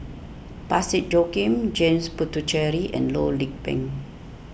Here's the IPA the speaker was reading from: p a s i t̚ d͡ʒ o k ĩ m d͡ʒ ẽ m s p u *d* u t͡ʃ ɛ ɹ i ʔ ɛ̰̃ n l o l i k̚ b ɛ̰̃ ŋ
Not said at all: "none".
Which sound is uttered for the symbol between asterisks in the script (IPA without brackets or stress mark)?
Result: t